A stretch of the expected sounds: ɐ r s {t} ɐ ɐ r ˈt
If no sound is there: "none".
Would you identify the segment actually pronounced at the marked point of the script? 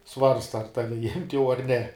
t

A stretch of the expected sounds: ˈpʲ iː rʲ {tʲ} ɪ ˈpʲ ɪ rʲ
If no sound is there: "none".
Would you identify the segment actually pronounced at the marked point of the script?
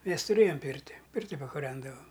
tʲ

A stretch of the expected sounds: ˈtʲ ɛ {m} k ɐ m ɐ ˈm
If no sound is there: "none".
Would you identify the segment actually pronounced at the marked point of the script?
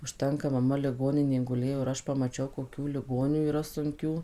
ŋ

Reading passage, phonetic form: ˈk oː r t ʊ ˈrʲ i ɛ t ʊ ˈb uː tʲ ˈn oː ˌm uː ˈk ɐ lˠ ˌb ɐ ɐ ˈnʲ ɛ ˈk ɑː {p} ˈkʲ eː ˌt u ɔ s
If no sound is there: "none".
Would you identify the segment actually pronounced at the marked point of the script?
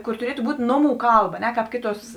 p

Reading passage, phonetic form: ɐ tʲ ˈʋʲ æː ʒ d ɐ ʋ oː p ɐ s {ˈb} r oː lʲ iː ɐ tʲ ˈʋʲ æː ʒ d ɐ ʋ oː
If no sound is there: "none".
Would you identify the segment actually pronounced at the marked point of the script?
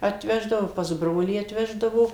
b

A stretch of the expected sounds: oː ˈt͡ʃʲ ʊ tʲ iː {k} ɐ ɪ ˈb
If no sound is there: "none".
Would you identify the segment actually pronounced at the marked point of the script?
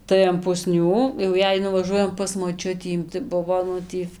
t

